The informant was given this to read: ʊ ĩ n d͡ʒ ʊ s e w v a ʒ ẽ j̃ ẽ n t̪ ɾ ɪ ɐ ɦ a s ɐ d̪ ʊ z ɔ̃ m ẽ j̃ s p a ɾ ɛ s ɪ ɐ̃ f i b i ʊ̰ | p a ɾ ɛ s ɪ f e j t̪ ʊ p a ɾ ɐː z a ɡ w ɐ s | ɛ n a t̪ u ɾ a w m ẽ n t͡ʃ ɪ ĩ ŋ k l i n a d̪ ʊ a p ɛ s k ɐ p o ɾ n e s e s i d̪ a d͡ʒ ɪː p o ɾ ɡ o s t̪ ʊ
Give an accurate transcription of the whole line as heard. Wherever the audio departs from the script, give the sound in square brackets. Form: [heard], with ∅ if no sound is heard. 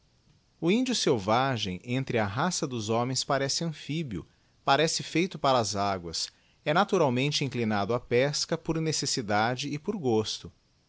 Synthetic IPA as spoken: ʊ ĩ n d͡ʒ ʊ s e w v a ʒ ẽ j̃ ẽ n t̪ ɾ ɪ ɐ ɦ a s ɐ d̪ ʊ z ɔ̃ m ẽ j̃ s p a ɾ ɛ s ɪ ɐ̃ f i b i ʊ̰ | p a ɾ ɛ s ɪ f e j t̪ ʊ p a ɾ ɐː z a ɡ w ɐ s | ɛ n a t̪ u ɾ a w m ẽ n t͡ʃ ɪ ĩ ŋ k l i n a d̪ ʊ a p ɛ s k ɐ p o ɾ n e s e s i d̪ a d͡ʒ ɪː p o ɾ ɡ o s t̪ ʊ

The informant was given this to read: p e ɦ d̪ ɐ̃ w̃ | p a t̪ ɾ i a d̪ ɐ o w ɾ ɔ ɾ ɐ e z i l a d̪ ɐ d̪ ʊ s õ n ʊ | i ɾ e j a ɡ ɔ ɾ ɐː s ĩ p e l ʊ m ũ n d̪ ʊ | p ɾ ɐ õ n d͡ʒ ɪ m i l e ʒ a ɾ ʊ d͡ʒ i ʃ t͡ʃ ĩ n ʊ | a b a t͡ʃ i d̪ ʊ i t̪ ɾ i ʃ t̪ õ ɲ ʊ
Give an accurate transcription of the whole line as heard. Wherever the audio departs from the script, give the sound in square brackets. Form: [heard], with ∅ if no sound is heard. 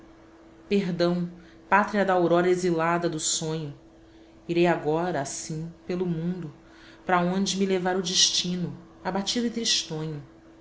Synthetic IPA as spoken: p e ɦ d̪ ɐ̃ w̃ | p a t̪ ɾ i [ɐ] d̪ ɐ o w ɾ ɔ ɾ ɐ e z i l a d̪ ɐ d̪ ʊ s õ [ɲ] ʊ | i ɾ e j a ɡ ɔ ɾ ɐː s ĩ p e l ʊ m ũ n d̪ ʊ | p ɾ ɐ õ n d͡ʒ ɪ m i l e [v] a ɾ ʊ d͡ʒ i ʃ t͡ʃ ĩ n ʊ | a b a t͡ʃ i d̪ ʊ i t̪ ɾ i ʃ t̪ õ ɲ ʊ

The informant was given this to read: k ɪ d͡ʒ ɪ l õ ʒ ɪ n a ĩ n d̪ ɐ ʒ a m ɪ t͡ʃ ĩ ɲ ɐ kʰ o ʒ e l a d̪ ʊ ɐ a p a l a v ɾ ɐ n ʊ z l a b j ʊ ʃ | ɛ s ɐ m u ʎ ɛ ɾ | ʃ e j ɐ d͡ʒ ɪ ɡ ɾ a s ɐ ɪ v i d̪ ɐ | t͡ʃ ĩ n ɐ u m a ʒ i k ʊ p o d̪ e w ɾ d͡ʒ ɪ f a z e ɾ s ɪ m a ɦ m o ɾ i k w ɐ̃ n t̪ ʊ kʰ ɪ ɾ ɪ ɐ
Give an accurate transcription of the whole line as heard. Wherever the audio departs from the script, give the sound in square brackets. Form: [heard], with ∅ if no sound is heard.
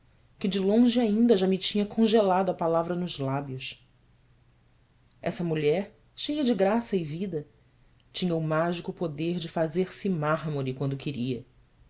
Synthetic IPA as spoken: k ɪ d͡ʒ ɪ l õ ʒ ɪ [∅] a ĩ n d̪ ɐ ʒ a m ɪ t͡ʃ ĩ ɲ ɐ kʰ [õ] ʒ e l a d̪ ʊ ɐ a p a l a v ɾ ɐ n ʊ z l a b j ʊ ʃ | ɛ s ɐ m u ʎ ɛ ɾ | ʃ e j ɐ d͡ʒ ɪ ɡ ɾ a s ɐ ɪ v i d̪ ɐ | t͡ʃ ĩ [ɲ] ɐ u m a ʒ i k ʊ p o d̪ e [∅] ɾ d͡ʒ ɪ f a z e ɾ s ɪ m a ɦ m o ɾ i k w ɐ̃ n [d̪] ʊ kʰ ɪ ɾ [i] ɐ

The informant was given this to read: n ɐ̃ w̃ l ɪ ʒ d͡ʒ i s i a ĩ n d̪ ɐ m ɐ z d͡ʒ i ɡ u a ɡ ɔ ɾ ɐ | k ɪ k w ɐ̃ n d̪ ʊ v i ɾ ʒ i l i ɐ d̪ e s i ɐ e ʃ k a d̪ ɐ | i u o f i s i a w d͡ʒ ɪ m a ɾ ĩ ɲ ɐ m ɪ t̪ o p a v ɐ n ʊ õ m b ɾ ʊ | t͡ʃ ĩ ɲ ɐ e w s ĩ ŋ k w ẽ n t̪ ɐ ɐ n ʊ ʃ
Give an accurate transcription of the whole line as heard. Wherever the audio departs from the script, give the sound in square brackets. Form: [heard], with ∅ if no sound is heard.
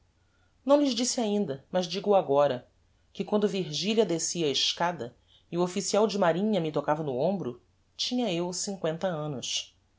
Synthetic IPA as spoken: n ɐ̃ w̃ l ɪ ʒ d͡ʒ i s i a ĩ n d̪ ɐ m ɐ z d͡ʒ i ɡ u a ɡ ɔ ɾ ɐ | k ɪ k w ɐ̃ n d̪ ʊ v i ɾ ʒ i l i ɐ d̪ e s i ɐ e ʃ k a d̪ ɐ | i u o f i s i a w d͡ʒ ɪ m a ɾ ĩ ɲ ɐ m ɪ t̪ o [k] a v ɐ n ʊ õ m b ɾ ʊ | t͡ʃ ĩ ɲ ɐ e w s ĩ ŋ k w ẽ n t̪ ɐ [ɐ̃] n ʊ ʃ

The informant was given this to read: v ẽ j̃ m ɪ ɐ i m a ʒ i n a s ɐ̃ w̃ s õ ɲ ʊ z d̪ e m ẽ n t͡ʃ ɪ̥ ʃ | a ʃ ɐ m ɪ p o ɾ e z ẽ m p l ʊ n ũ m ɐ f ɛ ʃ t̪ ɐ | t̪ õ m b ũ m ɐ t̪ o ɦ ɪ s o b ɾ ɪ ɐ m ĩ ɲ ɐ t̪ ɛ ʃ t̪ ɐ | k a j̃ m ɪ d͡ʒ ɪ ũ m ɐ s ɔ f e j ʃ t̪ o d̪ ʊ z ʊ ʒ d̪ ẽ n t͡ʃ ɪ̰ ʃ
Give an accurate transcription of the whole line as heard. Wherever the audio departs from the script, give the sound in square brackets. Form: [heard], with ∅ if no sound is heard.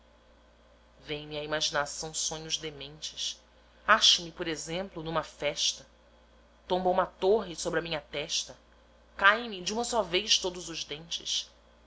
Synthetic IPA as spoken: v ẽ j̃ m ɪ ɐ i m a ʒ i n a s ɐ̃ w̃ s õ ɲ ʊ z d̪ e m ẽ n t͡ʃ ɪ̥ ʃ | a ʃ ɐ m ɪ p o ɾ e z ẽ m p l ʊ n ũ m ɐ f ɛ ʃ t̪ ɐ | t̪ õ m b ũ m ɐ t̪ o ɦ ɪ s o b ɾ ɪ ɐ m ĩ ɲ ɐ t̪ ɛ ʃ t̪ ɐ | k a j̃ m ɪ d͡ʒ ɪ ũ m ɐ s ɔ [v] e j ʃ t̪ o d̪ ʊ z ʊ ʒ d̪ ẽ n t͡ʃ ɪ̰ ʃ

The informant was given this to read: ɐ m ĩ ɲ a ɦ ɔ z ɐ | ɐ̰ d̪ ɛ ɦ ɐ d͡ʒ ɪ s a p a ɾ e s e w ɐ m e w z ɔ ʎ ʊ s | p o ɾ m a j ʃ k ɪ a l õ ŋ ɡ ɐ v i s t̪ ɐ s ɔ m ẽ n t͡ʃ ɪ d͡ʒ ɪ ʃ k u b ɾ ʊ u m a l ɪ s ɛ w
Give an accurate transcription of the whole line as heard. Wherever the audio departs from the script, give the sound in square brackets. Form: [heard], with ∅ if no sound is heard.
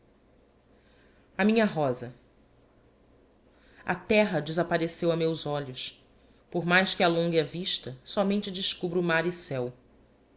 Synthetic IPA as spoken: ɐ m ĩ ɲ [ɐ] ɦ ɔ z ɐ | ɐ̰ [t̪] ɛ ɦ ɐ d͡ʒ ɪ [z] a p a ɾ e s e w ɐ m e w z ɔ ʎ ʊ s | p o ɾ m a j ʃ k ɪ a l õ ŋ ɡ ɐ v i [ʃ] t̪ ɐ s ɔ m ẽ n t͡ʃ ɪ d͡ʒ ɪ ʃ k u b ɾ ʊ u m a [ɾ] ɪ s ɛ w

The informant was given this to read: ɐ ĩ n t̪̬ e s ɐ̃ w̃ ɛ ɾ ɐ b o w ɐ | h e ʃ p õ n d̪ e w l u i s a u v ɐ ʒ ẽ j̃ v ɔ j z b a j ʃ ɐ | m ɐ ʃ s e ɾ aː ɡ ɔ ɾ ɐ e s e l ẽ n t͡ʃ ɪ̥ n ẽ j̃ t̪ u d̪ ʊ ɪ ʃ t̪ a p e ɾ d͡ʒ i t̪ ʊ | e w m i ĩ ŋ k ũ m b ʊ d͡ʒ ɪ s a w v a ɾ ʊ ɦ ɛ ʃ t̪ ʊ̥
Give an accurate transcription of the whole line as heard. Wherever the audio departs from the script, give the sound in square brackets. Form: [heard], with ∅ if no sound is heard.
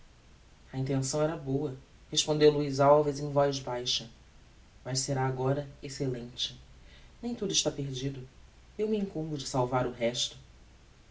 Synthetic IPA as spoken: ɐ ĩ n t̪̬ [ẽ] s ɐ̃ w̃ ɛ ɾ ɐ b o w ɐ | h e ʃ p õ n d̪ e w l u i [z] a [w] v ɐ [z] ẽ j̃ v ɔ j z b a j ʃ ɐ | m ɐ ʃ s e ɾ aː ɡ ɔ ɾ ɐ e s e l ẽ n t͡ʃ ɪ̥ n ẽ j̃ t̪ u d̪ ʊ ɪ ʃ t̪ a p e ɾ d͡ʒ i [d̪] ʊ | e w m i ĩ ŋ k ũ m b ʊ d͡ʒ ɪ s a w v a ɾ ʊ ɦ ɛ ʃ t̪ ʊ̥

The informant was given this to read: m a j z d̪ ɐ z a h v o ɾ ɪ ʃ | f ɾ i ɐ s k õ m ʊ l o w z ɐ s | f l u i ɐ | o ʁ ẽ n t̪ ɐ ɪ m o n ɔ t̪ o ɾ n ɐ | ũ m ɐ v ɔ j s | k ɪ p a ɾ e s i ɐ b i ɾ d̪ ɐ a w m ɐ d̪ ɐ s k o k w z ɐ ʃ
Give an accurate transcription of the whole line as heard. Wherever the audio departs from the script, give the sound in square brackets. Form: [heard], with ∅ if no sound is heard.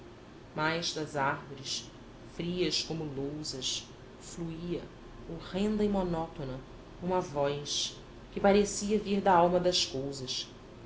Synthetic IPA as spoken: m a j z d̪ ɐ z a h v o ɾ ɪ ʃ | f ɾ i ɐ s k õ m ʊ l o w z ɐ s | f l u i ɐ | o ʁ ẽ n [d̪] ɐ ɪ m o n ɔ t̪ o [∅] n ɐ | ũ m ɐ v ɔ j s | k ɪ p a ɾ e s i ɐ [v] i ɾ d̪ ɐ a w m ɐ d̪ ɐ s k o [∅] w z ɐ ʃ

